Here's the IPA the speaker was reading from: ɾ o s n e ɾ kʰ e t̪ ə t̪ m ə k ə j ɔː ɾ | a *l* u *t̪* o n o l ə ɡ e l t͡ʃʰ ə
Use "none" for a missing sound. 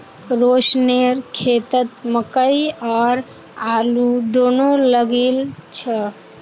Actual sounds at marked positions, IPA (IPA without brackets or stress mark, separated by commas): l, d̪